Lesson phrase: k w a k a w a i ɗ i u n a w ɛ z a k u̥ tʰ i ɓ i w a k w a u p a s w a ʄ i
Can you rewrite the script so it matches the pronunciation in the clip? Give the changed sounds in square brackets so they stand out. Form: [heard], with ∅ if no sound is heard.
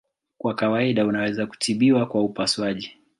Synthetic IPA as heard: k w a k a w a i ɗ [a] u n a w ɛ z a k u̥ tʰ i ɓ i w a k w a u p a s w a ʄ i